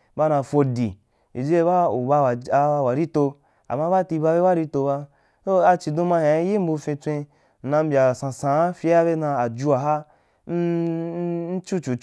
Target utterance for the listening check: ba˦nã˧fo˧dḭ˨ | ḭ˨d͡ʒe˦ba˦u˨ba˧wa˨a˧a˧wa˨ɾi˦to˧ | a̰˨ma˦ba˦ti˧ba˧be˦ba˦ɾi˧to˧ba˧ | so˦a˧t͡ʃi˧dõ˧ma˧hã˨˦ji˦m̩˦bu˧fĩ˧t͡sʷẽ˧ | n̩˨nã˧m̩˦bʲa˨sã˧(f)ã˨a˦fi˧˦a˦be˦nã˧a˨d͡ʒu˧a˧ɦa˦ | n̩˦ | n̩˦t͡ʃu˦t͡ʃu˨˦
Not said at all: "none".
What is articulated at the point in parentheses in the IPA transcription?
s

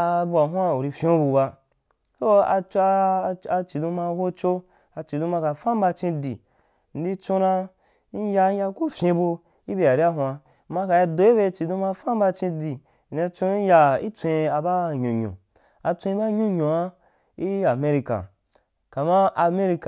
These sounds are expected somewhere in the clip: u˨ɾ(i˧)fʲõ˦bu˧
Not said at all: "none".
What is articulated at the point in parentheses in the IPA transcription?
i˧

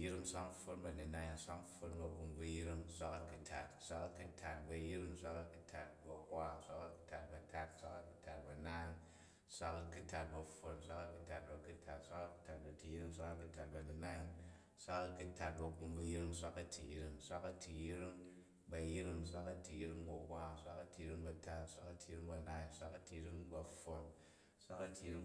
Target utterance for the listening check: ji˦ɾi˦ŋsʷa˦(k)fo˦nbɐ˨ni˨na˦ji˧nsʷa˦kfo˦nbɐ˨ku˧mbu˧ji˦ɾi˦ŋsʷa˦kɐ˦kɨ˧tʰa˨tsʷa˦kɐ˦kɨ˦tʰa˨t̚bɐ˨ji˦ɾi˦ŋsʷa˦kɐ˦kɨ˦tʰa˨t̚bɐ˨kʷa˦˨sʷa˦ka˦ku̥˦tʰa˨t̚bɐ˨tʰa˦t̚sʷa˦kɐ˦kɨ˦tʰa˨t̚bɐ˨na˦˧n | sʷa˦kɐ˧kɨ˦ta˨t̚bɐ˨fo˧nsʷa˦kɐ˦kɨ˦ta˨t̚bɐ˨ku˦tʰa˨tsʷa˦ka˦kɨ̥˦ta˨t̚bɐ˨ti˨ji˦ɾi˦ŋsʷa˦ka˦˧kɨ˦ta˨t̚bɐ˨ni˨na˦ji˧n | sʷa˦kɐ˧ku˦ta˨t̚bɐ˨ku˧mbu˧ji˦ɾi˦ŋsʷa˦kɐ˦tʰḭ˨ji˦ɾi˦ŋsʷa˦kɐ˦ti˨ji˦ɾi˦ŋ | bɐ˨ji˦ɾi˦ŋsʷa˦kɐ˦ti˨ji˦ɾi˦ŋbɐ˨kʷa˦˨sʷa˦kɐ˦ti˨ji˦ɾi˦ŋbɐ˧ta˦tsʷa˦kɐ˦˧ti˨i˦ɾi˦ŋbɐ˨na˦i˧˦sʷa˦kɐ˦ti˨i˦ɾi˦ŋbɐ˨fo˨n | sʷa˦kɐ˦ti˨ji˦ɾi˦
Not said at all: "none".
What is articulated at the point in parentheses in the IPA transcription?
k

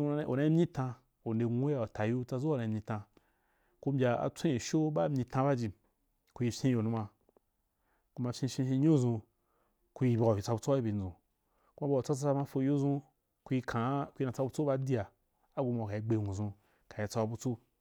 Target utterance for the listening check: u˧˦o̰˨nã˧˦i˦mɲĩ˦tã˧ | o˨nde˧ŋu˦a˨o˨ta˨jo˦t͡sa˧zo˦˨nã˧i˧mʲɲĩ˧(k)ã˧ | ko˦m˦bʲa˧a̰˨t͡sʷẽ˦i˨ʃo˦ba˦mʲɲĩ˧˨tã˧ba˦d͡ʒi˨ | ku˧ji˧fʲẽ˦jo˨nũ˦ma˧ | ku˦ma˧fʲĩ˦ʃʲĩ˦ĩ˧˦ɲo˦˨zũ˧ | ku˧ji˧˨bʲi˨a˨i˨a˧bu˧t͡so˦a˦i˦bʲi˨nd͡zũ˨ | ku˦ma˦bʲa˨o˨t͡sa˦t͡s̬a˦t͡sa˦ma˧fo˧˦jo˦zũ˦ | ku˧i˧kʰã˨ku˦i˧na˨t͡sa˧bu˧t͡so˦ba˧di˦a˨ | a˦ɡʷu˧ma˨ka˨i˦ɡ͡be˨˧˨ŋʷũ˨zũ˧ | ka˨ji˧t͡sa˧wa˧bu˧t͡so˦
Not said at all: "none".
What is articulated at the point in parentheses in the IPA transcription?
t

